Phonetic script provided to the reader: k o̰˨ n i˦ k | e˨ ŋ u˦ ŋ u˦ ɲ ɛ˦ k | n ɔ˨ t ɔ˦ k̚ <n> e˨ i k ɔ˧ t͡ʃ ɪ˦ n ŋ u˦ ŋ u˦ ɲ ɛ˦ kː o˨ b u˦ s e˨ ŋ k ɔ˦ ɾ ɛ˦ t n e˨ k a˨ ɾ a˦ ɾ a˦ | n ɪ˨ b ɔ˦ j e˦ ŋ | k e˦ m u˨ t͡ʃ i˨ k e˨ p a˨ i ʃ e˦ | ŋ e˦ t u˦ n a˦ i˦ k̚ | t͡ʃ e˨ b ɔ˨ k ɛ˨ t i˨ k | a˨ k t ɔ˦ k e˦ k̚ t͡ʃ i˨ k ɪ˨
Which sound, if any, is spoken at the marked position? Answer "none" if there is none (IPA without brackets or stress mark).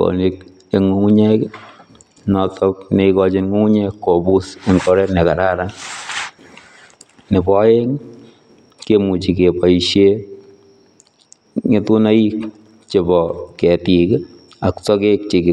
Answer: n